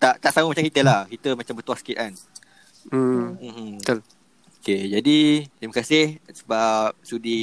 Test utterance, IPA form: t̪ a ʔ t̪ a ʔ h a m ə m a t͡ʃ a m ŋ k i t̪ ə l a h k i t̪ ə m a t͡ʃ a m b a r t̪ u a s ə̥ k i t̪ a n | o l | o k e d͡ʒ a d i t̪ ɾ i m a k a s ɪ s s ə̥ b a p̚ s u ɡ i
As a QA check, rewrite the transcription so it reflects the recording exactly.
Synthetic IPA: t̪ a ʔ t̪ a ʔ s a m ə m a t͡ʃ a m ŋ k i t̪ ə l a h k i t̪ ə m a t͡ʃ a m b ə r t̪ u a s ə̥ k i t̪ a n | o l | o k e d͡ʒ a d i t̪ ɾ i m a k a s ɪ h s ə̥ b a p̚ s u d i